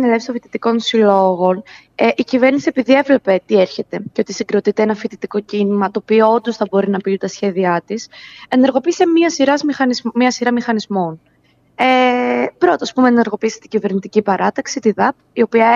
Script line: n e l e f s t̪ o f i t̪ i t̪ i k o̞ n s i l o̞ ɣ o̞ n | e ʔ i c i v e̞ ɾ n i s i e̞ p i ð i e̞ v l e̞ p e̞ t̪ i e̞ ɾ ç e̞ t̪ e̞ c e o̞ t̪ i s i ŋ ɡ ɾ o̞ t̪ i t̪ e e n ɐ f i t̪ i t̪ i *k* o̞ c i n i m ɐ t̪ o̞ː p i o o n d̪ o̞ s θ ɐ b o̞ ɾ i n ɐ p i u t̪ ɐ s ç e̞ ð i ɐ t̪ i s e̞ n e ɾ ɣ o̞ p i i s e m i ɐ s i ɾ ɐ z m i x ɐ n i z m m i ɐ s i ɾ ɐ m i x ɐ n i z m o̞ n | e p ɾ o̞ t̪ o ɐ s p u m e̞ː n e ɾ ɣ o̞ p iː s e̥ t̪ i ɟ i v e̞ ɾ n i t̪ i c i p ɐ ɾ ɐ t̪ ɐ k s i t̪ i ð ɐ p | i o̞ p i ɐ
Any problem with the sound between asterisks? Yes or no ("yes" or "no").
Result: no